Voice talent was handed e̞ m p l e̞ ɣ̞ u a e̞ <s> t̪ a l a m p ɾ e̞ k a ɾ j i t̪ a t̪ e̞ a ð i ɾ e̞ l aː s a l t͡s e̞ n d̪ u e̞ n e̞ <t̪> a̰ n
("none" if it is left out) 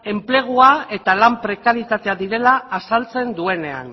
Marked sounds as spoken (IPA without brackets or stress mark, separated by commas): none, none